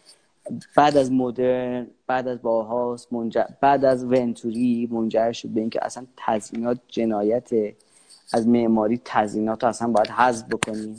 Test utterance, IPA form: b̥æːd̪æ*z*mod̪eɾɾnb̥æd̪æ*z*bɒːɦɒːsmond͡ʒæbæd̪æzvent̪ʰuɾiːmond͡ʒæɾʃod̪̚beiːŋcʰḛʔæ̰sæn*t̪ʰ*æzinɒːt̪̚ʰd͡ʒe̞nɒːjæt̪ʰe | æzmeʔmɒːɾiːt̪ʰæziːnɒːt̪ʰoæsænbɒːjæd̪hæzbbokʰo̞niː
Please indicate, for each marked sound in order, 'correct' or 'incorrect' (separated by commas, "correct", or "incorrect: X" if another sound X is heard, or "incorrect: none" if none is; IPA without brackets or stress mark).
correct, correct, correct